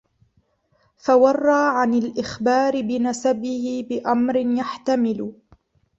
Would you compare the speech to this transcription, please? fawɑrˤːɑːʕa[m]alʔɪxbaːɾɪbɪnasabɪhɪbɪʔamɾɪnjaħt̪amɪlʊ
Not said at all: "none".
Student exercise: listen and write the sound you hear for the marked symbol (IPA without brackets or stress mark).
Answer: n